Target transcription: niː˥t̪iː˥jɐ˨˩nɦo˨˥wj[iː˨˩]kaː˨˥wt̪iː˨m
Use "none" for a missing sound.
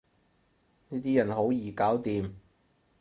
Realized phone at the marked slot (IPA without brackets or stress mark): iː˨˩